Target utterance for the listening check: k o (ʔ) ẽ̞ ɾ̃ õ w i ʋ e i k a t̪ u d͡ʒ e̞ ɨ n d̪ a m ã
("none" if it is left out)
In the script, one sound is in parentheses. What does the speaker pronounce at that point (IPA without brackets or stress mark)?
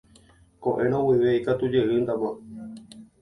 ʔ